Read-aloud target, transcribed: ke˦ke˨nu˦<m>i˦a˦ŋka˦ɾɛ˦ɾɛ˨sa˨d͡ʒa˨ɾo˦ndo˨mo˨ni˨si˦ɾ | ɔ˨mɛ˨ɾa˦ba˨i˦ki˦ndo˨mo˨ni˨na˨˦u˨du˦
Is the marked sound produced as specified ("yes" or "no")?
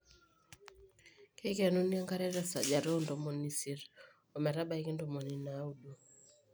no